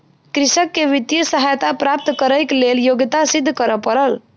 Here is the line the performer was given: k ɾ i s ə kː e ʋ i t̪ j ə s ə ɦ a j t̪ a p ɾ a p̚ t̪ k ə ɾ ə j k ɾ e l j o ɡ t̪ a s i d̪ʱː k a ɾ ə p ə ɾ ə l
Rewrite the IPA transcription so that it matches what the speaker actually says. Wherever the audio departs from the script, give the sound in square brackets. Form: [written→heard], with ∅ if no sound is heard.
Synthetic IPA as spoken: k ɾ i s ə kː e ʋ i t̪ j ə s ə ɦ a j t̪ a p ɾ a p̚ t̪ k ə ɾ ə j k [ɾ→l] e l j o ɡ t̪ a s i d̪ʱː k [a→ə] ɾ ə p ə ɾ ə l